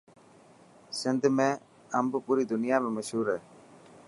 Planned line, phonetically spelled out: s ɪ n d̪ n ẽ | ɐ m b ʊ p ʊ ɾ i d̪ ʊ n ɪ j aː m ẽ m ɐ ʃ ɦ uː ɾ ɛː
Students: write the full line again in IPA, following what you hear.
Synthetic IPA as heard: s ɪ n d̪ m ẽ | ɐ m b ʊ p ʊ ɾ i d̪ ʊ n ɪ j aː m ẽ m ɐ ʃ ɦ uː ɾ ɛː